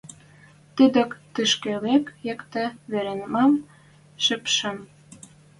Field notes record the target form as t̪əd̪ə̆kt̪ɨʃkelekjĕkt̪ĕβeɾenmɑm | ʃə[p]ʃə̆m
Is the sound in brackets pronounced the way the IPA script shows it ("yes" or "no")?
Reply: yes